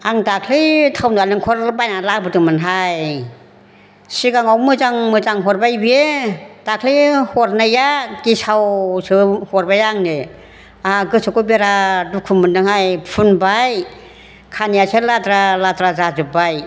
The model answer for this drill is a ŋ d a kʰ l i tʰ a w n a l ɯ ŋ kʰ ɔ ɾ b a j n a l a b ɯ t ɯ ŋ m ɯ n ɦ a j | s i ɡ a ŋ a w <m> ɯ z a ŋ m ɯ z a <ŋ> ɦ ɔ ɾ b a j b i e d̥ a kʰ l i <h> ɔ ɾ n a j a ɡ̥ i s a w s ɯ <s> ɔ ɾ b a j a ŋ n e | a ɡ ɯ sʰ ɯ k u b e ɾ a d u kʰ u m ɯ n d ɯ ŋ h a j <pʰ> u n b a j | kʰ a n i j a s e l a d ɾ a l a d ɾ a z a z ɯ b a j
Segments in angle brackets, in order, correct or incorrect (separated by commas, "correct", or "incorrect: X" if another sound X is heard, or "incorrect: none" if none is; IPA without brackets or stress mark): correct, correct, correct, incorrect: h, correct